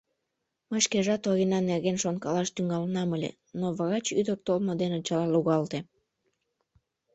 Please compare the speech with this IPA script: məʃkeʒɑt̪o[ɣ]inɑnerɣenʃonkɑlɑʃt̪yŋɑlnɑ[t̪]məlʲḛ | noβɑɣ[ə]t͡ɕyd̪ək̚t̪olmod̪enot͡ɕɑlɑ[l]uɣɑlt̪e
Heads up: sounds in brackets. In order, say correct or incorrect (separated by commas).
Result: correct, incorrect, incorrect, correct